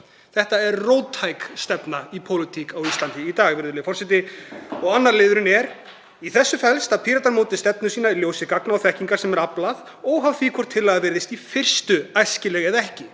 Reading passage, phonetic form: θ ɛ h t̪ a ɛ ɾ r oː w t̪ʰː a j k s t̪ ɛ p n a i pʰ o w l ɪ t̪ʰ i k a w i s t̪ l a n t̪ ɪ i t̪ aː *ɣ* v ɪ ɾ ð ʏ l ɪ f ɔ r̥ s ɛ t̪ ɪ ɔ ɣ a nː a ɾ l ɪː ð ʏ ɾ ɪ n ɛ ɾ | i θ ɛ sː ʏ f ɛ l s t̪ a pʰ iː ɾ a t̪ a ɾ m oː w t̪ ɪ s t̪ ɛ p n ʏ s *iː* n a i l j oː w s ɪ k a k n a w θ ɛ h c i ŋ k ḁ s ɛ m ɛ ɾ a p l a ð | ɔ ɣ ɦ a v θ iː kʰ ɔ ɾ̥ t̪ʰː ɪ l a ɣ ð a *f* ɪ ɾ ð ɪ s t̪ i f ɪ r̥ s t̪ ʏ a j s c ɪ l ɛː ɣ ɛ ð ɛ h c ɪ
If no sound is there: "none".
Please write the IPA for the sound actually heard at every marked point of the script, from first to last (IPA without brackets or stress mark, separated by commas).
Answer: ɣ, iː, v